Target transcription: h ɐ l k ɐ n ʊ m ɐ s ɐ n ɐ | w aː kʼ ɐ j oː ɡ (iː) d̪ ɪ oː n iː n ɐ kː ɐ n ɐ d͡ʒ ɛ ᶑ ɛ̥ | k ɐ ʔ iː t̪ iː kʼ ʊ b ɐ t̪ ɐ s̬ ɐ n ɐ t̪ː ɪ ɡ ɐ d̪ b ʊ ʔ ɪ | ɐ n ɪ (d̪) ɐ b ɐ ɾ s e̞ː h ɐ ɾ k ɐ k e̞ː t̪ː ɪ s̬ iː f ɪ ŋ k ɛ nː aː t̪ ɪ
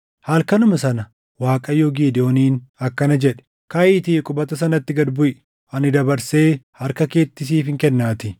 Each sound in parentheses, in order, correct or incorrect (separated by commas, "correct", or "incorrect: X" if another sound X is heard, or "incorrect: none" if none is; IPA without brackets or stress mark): correct, correct